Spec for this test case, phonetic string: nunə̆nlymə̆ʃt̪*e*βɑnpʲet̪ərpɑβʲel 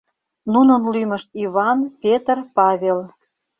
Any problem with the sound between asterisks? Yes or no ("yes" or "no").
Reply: yes